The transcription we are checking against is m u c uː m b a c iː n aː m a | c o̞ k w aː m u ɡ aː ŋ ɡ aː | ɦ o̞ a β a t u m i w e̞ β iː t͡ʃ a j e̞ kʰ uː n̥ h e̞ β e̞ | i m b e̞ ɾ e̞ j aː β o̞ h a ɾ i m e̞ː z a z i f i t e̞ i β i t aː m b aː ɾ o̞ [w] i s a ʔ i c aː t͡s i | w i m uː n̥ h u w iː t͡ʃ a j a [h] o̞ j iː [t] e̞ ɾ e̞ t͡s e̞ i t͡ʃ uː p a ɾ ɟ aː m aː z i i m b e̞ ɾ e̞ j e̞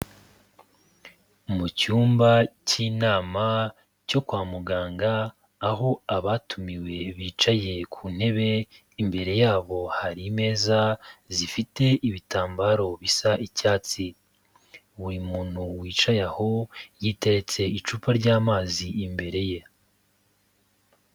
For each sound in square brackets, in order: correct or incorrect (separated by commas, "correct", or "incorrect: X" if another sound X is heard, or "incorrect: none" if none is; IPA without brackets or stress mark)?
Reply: incorrect: β, correct, correct